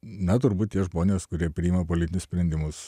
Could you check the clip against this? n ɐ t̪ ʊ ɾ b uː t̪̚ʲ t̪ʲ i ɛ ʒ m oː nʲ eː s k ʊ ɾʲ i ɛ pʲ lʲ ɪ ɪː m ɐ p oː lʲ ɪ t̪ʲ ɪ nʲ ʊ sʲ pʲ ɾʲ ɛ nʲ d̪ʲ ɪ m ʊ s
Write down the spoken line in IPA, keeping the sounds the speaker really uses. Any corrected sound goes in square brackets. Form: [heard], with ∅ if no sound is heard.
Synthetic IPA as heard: n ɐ t̪ ʊ ɾ b uː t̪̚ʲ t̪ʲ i ɛ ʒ m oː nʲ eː s k ʊ ɾʲ i ɛ pʲ [ɾʲ] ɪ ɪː m ɐ p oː lʲ ɪ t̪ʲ ɪ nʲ ʊ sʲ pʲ ɾʲ ɛ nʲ d̪ʲ ɪ m ʊ s

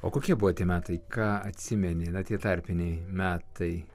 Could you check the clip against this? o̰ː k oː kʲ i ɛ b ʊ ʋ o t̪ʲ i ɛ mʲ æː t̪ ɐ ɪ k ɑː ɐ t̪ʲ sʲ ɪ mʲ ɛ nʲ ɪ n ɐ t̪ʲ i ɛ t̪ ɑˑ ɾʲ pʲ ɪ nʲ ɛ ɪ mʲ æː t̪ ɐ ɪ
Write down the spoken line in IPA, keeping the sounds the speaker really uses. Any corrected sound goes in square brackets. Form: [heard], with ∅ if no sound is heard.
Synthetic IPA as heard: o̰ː k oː kʲ i ɛ b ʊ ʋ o t̪ʲ i ɛ mʲ æː t̪ ɐ ɪ k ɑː ɐ t̪ʲ sʲ ɪ mʲ ɛ nʲ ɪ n ɐ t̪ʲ i ɛ t̪ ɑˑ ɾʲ pʲ ɪ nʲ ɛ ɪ mʲ æː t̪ ɐ ɪ

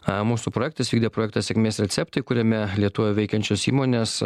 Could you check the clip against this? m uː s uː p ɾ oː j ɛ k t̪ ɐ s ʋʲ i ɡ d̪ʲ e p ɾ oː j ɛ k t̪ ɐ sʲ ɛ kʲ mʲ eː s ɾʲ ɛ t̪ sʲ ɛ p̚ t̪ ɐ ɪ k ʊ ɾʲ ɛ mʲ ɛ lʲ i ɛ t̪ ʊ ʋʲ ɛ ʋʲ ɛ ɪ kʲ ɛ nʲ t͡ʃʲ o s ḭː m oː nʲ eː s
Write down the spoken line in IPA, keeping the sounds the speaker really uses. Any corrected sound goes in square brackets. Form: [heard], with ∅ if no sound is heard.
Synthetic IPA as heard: m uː s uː p ɾ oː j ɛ k t̪ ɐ s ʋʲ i ɡ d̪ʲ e p ɾ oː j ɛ k t̪ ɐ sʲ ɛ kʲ mʲ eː s ɾʲ ɛ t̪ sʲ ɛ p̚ t̪ ɐ ɪ k ʊ ɾʲ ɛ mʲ ɛ lʲ i ɛ t̪ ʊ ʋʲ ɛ ʋʲ ɛ ɪ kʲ ɛ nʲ t͡ʃʲ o s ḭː m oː nʲ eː s

